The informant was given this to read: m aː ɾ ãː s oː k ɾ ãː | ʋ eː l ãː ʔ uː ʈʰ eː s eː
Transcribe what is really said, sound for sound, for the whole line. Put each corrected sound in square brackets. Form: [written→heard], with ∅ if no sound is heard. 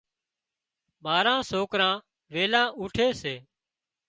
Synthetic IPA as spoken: m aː ɾ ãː s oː k ɾ ãː | ʋ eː l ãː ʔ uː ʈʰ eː s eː